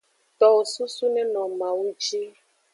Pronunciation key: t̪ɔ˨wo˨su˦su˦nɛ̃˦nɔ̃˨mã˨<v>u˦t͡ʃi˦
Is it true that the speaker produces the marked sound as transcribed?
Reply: no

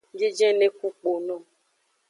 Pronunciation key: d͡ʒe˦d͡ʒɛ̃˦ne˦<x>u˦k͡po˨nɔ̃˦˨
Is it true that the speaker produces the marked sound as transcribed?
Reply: no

